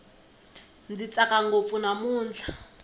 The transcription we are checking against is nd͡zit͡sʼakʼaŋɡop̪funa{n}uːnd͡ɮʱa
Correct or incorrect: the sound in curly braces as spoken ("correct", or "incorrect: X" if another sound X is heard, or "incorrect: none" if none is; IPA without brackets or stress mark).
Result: incorrect: m